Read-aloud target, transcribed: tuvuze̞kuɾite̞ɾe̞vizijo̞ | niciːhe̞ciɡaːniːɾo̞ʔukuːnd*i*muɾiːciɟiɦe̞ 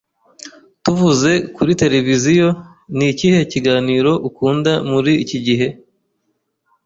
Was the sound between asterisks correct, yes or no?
no